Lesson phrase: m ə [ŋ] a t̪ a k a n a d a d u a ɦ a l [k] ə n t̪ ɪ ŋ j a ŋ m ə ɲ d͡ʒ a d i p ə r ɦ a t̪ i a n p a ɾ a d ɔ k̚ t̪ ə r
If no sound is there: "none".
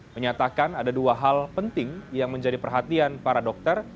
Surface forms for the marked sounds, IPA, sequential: ɲ, p

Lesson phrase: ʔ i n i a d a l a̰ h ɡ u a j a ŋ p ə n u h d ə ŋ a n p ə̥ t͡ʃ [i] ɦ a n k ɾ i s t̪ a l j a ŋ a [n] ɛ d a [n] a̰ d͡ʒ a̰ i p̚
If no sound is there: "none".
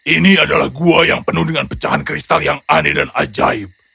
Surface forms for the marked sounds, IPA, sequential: a, n, n

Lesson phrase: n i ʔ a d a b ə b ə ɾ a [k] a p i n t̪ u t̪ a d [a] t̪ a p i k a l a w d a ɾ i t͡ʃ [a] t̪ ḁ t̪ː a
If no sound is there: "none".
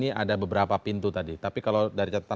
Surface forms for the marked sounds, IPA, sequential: p, i, a

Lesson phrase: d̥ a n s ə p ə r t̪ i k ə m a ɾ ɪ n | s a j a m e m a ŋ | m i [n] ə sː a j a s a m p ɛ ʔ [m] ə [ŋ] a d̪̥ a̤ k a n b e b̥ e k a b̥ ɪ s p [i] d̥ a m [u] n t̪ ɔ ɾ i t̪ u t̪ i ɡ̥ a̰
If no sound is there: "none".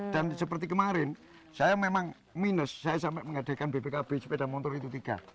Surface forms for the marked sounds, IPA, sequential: n, m, ŋ, e, ɔ

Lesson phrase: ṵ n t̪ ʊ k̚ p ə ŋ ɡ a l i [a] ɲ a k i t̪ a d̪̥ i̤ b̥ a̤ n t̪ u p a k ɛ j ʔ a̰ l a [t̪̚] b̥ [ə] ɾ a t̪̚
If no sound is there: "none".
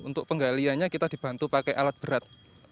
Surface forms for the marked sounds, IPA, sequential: a, t̪̚, ə

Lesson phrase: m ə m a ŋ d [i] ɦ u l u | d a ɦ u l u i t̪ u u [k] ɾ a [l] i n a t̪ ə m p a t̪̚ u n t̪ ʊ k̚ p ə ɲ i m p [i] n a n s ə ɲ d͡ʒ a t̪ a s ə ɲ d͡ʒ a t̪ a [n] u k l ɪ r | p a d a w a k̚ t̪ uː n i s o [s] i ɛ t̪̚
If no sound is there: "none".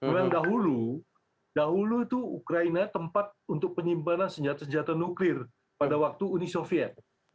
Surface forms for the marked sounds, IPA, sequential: a, k, none, a, n, f

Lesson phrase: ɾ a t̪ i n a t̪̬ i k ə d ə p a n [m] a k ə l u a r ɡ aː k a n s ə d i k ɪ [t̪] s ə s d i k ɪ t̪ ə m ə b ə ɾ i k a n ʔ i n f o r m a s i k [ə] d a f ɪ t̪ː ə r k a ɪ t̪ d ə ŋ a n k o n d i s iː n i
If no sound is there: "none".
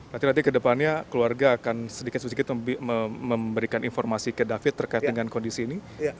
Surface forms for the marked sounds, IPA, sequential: ɲ, t̪, ə

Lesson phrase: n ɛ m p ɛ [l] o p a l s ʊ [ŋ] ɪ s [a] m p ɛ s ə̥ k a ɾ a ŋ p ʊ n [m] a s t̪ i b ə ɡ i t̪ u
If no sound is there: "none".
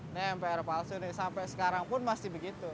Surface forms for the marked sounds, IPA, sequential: ɾ, n, a, m

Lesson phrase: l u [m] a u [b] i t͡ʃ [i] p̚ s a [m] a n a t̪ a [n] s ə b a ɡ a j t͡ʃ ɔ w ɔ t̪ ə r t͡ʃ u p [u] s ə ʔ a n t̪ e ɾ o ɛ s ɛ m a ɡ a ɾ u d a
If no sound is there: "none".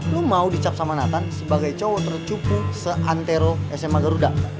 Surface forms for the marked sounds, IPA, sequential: m, d, a, m, n, u

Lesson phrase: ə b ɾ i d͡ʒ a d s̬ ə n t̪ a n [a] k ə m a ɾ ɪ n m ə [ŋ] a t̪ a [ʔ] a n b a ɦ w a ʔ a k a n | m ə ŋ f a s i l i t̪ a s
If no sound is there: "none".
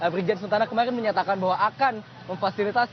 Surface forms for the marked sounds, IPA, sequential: a, ɲ, k

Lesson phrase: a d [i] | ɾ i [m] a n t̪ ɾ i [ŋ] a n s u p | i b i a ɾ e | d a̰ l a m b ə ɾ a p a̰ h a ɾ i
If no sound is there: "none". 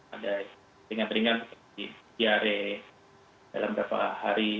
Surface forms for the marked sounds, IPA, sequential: a, ŋ, ŋ

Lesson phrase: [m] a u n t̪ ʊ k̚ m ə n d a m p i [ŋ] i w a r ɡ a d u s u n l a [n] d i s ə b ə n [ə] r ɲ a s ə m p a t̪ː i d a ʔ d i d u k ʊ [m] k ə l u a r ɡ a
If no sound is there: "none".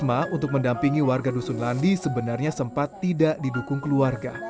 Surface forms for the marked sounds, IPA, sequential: m, ŋ, n, a, ŋ

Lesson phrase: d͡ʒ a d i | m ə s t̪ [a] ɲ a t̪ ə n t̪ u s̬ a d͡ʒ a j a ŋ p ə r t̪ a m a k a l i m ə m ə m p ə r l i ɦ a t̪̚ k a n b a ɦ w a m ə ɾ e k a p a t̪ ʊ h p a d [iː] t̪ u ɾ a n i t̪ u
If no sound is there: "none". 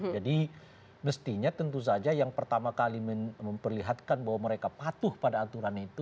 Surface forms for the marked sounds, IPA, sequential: i, aː

